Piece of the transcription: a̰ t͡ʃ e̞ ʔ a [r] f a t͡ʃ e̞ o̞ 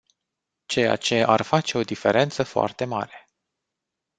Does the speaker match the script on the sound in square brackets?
yes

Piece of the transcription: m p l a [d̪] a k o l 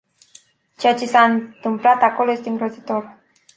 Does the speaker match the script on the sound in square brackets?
no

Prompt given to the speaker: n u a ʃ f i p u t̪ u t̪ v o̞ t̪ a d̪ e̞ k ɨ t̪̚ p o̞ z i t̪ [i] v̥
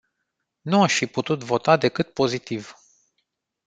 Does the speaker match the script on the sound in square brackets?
yes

